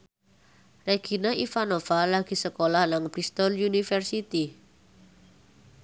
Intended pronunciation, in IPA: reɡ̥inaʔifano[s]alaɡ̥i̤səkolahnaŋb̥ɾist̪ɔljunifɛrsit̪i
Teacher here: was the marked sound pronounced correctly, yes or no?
no